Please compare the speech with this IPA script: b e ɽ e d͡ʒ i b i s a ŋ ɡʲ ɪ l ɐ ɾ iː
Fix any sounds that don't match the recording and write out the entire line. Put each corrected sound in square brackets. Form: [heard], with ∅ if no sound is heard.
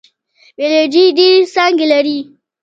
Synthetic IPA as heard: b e [l] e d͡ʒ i [d] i s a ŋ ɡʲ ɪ l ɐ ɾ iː